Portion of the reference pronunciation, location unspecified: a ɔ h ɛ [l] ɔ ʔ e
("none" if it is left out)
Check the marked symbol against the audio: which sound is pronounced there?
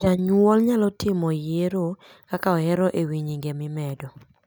ɾ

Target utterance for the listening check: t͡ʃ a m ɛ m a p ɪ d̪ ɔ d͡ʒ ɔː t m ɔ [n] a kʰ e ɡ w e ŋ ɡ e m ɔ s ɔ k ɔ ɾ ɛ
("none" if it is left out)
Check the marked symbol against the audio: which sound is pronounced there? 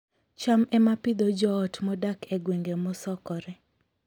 d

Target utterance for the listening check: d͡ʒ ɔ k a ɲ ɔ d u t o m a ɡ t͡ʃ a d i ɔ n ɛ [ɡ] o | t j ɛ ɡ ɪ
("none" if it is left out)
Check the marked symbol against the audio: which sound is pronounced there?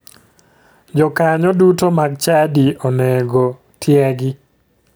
ɡ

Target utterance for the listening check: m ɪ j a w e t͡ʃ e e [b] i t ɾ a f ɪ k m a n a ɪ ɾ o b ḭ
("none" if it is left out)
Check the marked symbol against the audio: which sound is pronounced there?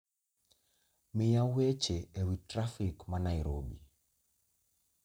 w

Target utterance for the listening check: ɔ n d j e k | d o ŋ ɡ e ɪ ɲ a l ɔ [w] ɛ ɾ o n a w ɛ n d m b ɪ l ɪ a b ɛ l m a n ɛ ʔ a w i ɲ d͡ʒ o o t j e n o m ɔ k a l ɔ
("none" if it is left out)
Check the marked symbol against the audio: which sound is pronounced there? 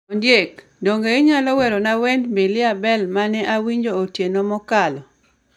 w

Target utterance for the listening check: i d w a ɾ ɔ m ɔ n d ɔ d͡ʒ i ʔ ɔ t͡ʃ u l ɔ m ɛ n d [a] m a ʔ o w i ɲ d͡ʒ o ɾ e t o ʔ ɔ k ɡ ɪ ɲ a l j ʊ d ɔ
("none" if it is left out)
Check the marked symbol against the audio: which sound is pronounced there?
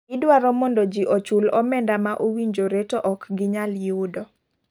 a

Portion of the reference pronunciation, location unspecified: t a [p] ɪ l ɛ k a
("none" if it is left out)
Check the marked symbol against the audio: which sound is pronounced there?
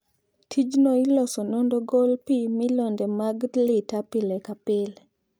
p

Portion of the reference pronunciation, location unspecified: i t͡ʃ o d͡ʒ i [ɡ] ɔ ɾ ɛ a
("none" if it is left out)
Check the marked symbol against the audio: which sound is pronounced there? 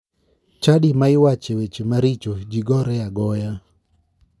ɡ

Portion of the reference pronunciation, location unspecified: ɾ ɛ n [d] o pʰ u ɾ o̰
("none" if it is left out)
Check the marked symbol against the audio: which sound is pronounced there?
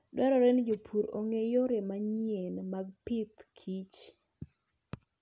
d͡ʒ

